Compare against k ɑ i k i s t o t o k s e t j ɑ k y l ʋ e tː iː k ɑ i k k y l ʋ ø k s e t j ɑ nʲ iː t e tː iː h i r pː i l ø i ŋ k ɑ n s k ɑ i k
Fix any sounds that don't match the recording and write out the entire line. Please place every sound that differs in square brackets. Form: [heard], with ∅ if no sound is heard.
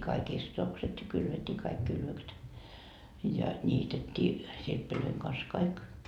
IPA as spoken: k ɑ i k i s t o t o k s e t j ɑ k y l ʋ e tː iː k ɑ i k k y l ʋ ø k s e t j ɑ nʲ iː t e tː iː [s] i r pː i l ø i ŋ k ɑ n s k ɑ i k